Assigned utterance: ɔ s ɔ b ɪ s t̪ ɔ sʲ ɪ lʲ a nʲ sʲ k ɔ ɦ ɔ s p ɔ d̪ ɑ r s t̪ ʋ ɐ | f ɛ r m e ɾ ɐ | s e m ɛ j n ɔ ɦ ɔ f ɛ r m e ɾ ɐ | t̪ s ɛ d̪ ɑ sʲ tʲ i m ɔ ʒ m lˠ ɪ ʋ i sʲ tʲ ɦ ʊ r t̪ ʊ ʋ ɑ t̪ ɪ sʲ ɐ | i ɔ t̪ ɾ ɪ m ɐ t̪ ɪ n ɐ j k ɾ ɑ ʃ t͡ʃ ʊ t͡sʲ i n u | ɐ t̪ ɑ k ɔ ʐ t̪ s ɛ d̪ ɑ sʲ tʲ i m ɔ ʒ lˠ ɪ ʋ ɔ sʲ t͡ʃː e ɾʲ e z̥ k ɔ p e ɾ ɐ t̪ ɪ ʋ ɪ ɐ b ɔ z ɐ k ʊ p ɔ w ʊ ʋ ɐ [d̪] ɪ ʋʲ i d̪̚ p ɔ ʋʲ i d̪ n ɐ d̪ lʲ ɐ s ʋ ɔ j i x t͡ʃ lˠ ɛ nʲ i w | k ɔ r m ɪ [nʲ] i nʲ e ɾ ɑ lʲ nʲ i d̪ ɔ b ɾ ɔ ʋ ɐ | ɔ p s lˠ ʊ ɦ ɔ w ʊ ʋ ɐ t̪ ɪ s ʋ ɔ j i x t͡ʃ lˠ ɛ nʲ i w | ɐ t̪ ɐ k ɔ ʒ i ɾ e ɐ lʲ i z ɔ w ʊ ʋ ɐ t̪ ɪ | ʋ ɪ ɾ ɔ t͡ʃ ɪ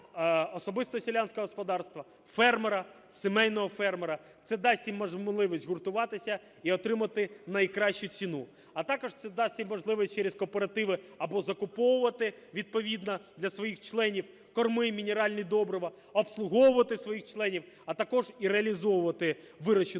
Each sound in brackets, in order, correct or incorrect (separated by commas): incorrect, incorrect